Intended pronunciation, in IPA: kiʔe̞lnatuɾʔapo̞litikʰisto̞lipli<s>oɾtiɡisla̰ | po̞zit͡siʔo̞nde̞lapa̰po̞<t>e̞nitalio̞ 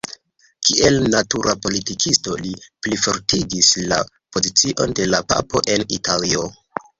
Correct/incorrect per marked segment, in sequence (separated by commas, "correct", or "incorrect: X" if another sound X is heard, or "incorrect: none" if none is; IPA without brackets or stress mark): incorrect: f, incorrect: ʔ